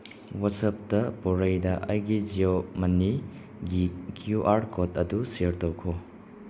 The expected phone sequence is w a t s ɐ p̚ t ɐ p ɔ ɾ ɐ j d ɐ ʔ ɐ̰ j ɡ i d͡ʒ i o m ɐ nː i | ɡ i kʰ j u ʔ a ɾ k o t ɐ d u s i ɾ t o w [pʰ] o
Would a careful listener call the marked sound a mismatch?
yes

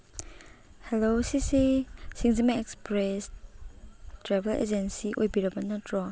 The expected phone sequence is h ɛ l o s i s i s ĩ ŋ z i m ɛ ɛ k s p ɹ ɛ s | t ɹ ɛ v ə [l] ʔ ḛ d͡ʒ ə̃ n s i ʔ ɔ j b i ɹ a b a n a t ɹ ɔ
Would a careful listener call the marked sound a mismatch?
no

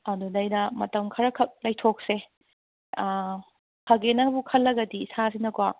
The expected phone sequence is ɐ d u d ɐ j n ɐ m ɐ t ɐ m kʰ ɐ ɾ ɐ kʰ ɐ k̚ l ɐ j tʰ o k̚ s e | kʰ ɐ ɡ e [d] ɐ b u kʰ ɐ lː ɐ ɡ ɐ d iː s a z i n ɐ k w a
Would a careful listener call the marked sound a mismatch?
yes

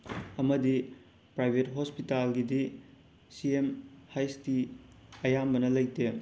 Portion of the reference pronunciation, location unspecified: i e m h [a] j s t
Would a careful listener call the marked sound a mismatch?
no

